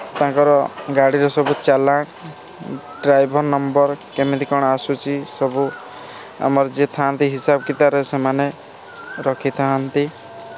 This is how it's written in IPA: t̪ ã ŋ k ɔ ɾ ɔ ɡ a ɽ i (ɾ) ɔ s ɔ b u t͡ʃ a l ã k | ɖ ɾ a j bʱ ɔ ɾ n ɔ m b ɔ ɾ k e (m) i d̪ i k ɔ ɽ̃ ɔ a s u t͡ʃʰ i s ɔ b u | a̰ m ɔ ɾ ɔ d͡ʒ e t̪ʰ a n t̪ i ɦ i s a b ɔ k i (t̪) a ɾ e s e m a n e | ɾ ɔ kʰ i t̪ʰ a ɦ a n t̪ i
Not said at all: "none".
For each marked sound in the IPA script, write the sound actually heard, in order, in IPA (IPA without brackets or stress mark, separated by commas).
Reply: ɾ, m, t̪